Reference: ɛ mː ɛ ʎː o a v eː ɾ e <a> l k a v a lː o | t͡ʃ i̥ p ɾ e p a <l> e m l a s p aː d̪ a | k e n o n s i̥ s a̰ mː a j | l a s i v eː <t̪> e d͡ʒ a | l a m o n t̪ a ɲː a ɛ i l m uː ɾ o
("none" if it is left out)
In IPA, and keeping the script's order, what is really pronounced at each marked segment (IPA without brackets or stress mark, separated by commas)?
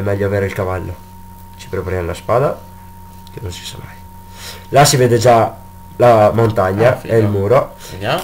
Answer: i, ɾ, d̪